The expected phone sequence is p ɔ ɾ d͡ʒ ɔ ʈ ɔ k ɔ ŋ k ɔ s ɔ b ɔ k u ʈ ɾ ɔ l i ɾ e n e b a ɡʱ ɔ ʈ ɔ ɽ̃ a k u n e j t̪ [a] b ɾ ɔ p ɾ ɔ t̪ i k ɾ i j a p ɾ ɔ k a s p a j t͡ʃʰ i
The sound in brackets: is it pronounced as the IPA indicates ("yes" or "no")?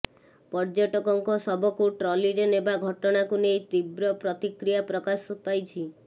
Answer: no